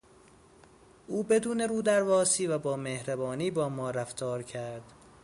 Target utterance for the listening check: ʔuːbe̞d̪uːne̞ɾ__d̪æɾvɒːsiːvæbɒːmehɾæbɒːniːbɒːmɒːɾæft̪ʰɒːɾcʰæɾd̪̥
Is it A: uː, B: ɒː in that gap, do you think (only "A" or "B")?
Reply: A